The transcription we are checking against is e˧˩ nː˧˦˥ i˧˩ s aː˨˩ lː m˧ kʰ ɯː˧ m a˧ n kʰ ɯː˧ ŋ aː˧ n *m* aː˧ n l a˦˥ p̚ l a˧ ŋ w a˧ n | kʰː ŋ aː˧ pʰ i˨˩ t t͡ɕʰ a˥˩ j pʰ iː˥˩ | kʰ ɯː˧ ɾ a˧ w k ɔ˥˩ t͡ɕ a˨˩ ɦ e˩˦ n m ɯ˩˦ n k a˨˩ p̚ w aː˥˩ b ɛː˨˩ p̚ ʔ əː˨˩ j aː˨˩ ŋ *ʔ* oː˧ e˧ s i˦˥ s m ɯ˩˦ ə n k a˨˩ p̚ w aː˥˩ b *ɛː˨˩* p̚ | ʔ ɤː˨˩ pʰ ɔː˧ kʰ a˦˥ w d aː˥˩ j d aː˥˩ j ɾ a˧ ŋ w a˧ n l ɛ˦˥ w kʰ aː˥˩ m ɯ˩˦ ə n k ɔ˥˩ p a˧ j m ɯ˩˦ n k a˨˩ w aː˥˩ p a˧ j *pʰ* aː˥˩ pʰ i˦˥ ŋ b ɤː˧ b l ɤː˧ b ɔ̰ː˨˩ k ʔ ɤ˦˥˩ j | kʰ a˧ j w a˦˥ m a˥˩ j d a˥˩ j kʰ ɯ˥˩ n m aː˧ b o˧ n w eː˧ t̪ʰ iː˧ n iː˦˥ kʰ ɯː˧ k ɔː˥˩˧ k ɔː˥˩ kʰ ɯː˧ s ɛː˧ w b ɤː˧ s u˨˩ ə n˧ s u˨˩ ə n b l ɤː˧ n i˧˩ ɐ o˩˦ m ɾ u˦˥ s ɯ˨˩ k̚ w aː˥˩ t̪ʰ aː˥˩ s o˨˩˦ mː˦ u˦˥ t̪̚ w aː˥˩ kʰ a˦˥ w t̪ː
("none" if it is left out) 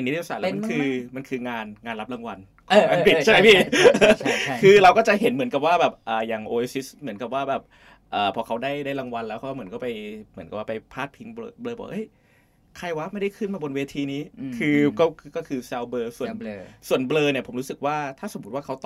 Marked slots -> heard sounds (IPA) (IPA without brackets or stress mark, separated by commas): ŋ, ʔ, ɛː˨˩, pʰ